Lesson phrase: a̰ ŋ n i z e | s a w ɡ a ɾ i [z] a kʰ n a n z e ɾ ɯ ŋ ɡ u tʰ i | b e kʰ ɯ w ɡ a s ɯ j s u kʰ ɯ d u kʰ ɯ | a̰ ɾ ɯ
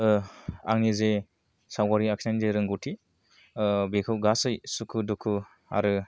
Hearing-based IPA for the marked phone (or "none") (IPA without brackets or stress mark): none